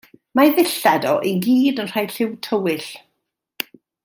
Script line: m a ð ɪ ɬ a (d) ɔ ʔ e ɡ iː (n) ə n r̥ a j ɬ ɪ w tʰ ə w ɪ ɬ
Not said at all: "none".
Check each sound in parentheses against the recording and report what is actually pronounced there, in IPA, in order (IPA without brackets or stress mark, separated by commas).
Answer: d, d